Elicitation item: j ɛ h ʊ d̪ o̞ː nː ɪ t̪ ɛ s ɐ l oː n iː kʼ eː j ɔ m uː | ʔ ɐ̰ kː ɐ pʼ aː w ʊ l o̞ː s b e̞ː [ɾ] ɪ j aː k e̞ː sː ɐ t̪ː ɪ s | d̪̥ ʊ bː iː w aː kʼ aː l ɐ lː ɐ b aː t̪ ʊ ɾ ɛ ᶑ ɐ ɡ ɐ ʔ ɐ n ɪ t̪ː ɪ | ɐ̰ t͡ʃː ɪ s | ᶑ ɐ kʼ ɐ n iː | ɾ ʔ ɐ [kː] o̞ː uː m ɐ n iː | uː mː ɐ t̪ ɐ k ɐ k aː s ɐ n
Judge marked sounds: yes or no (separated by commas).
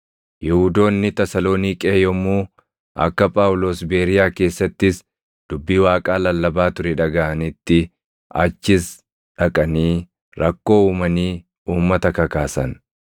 yes, yes